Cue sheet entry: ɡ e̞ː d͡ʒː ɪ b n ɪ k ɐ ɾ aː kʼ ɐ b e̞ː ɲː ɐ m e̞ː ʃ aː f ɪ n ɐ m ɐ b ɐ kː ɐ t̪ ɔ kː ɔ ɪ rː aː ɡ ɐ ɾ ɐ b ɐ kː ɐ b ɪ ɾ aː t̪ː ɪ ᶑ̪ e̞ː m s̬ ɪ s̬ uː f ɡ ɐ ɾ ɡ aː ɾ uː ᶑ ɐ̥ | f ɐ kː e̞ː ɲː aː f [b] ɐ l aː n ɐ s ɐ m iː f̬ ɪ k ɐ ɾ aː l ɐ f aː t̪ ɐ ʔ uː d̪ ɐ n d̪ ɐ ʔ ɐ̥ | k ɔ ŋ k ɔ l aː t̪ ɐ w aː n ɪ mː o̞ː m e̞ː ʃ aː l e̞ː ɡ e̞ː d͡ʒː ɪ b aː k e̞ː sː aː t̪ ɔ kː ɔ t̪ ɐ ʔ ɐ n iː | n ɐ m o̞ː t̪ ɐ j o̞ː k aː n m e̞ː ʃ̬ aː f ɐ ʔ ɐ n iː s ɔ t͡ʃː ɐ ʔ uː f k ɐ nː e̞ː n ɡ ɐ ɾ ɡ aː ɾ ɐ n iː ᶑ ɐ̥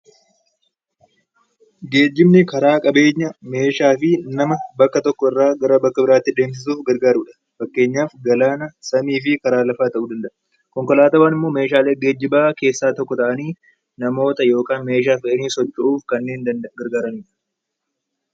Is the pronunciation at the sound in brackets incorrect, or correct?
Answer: incorrect